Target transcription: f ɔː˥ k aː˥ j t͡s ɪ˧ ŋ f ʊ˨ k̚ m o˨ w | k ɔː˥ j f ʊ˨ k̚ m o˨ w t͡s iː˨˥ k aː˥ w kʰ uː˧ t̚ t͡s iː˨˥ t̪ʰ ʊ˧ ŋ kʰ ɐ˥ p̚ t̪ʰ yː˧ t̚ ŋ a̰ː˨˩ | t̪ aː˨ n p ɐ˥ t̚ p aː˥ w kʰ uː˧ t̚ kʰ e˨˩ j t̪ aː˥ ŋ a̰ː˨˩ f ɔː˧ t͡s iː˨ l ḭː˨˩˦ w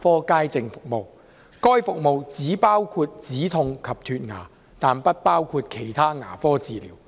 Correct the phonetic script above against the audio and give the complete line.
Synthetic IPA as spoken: f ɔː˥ k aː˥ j t͡s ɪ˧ ŋ f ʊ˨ k̚ m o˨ w | k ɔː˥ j f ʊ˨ k̚ m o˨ w t͡s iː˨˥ p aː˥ w kʰ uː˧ t̚ t͡s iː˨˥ t̪ʰ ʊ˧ ŋ kʰ ɐ˨ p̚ t̪ʰ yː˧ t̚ ŋ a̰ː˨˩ | t̪ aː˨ n p ɐ˥ t̚ p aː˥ w kʰ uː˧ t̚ kʰ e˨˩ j t̪ʰ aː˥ ŋ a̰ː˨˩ f ɔː˥ t͡s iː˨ l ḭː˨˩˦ w